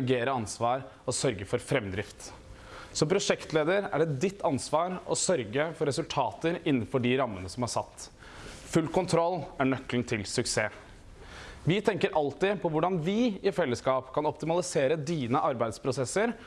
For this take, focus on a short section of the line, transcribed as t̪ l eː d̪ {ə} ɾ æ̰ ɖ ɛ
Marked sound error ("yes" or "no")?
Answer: no